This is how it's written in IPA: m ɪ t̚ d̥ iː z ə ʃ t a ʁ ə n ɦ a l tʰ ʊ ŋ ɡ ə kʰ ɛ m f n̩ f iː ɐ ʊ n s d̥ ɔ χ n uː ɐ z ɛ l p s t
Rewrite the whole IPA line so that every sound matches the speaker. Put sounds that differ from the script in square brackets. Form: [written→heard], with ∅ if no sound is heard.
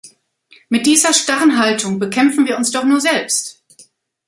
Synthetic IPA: m ɪ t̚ d̥ iː z [ə→ɐ] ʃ t a ʁ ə n ɦ a l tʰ ʊ ŋ [ɡ→b] ə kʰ ɛ m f n̩ [f→v] iː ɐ ʊ n s d̥ ɔ χ n uː ɐ z ɛ l p s t

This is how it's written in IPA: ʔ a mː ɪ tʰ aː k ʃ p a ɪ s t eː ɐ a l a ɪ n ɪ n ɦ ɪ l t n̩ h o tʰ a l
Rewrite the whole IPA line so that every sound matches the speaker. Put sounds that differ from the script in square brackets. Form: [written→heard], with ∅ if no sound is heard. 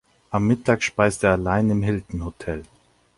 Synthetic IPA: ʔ a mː ɪ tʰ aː k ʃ p a ɪ s t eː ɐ a l a ɪ n ɪ [n→m] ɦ ɪ l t n̩ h o tʰ [a→ɛ] l

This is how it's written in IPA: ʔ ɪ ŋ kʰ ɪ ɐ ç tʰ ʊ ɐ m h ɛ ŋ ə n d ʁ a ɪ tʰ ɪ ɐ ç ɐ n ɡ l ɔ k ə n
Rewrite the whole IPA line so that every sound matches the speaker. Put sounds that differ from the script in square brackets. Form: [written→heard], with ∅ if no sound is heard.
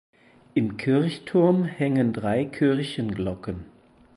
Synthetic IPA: ʔ ɪ [ŋ→m] kʰ ɪ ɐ ç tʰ ʊ ɐ m h ɛ ŋ ə n d ʁ a ɪ [tʰ→kʰ] ɪ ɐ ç [ɐ→ə] n ɡ l ɔ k ə n

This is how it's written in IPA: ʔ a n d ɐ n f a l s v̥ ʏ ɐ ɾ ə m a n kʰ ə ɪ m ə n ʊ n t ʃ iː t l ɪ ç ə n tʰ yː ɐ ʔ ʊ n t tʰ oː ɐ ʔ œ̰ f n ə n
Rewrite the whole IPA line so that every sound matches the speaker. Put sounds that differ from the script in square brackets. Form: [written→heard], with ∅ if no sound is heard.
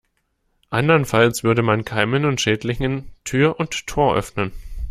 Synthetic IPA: ʔ a n d ɐ n f a l s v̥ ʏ ɐ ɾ ə m a n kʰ [ə→a] ɪ m ə n ʊ n t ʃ [iː→ɛː] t l ɪ ç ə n tʰ yː ɐ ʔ ʊ n t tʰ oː ɐ ʔ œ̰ f n ə n

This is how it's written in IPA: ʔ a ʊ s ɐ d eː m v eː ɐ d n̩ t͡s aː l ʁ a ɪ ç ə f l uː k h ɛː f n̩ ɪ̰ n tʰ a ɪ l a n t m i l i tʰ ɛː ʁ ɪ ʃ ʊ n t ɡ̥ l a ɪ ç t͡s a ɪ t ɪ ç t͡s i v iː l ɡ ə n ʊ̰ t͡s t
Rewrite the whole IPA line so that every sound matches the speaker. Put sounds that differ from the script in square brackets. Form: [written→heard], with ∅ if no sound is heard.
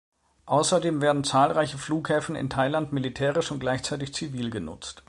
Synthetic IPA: ʔ a ʊ s ɐ d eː m v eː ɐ d n̩ t͡s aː l ʁ a ɪ ç ə f l uː k h ɛː f n̩ ɪ̰ n tʰ a ɪ l a n t m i l i tʰ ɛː ʁ ɪ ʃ ʊ n t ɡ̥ l a ɪ ç t͡s a ɪ t ɪ ç t͡s i v iː l ɡ ə n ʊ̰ t͡s t

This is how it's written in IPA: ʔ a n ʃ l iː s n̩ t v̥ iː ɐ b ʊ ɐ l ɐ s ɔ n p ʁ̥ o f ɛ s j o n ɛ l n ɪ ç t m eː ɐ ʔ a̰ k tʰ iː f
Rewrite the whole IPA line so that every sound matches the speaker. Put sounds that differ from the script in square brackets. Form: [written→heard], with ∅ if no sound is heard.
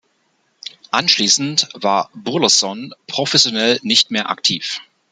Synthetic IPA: ʔ a n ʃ l iː s n̩ t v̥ [iː→aː] ɐ b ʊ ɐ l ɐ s ɔ n p ʁ̥ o f ɛ s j o n ɛ l n ɪ ç t m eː ɐ ʔ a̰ k tʰ iː f

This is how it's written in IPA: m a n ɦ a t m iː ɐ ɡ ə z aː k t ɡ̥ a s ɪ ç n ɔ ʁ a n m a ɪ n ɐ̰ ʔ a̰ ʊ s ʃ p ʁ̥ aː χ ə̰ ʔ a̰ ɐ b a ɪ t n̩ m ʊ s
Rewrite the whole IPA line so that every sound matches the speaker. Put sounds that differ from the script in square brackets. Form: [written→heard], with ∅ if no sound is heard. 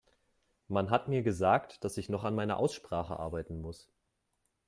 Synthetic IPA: m a n ɦ a t m iː ɐ ɡ ə z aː k t [ɡ̥→d̥] a s ɪ ç n ɔ [ʁ→χ] a n m a ɪ n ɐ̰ ʔ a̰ ʊ s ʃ p ʁ̥ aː χ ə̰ ʔ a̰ ɐ b a ɪ t n̩ m ʊ s

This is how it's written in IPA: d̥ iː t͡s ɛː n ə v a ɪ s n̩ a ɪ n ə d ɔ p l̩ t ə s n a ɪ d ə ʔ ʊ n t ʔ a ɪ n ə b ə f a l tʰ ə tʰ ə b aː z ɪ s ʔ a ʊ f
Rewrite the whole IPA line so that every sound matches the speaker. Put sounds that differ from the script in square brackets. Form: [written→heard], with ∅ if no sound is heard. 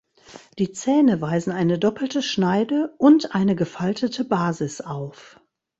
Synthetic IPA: d̥ iː t͡s ɛː n ə v a ɪ [s→z] n̩ a ɪ n ə d ɔ p l̩ t ə [s→ʃ] n a ɪ d ə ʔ ʊ n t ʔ a ɪ n ə [b→ɡ] ə f a l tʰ ə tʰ ə b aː z ɪ s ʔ a ʊ f

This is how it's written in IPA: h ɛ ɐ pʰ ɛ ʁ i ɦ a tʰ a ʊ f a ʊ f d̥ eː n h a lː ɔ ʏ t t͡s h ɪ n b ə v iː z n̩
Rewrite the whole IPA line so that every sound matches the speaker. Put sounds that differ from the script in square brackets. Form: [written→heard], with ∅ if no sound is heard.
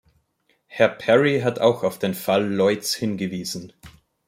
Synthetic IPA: h ɛ ɐ pʰ ɛ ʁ i ɦ a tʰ a ʊ [f→x] a ʊ f d̥ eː n [h→f] a lː ɔ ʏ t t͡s h ɪ n [b→ɡ] ə v iː z n̩

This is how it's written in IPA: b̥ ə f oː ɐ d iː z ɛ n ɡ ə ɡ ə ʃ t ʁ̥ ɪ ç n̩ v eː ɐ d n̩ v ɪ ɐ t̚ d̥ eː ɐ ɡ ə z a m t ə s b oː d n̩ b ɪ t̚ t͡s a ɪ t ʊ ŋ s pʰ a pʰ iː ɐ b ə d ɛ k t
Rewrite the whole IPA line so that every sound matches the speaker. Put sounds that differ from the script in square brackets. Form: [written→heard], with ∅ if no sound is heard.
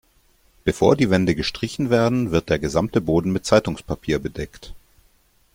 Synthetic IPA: b̥ ə f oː ɐ d iː [z→v] ɛ n [ɡ→d] ə ɡ ə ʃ t ʁ̥ ɪ ç n̩ v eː ɐ d n̩ v ɪ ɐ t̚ d̥ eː ɐ ɡ ə z a m t ə [s→∅] b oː d n̩ [b→m] ɪ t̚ t͡s a ɪ t ʊ ŋ s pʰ a pʰ iː ɐ b ə d ɛ k t

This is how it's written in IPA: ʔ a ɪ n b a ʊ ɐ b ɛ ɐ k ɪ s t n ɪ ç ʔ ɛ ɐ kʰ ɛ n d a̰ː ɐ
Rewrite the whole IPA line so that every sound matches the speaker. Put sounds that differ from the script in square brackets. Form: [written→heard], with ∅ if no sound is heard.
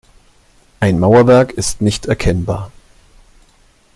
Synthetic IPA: ʔ a ɪ n [b→m] a ʊ ɐ [b→v] ɛ ɐ k ɪ s t n ɪ ç [ʔ→t] ɛ ɐ kʰ ɛ n [d→b] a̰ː ɐ

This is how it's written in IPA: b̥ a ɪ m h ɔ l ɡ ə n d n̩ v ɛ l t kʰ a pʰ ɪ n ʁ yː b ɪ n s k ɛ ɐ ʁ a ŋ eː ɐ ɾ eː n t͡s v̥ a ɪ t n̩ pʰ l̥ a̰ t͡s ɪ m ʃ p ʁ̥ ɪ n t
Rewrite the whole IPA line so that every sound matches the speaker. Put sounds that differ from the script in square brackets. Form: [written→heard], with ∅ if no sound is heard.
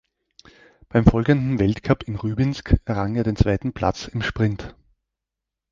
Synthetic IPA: b̥ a ɪ m [h→f] ɔ l ɡ ə n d n̩ v ɛ l t kʰ a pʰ ɪ n ʁ yː b ɪ n s k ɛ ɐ ʁ a ŋ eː ɐ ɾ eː n t͡s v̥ a ɪ t n̩ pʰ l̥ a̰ t͡s ɪ m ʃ p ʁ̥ ɪ n t

